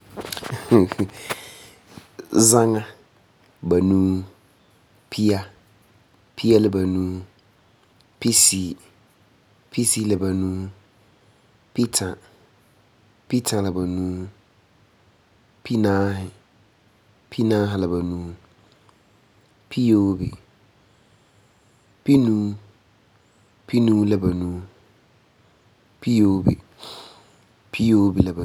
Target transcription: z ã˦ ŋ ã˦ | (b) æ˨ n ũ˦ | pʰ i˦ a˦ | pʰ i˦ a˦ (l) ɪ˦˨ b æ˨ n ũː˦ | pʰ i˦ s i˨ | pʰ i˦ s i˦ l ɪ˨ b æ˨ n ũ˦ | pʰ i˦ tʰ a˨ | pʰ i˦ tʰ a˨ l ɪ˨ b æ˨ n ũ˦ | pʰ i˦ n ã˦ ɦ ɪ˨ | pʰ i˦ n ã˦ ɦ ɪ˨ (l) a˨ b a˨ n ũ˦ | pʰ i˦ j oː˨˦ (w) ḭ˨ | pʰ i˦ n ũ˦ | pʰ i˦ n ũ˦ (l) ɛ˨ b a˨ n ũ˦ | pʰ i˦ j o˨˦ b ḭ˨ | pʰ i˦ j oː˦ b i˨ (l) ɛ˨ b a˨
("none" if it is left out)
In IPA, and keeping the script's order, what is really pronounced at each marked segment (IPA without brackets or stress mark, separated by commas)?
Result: b, l, l, b, l, l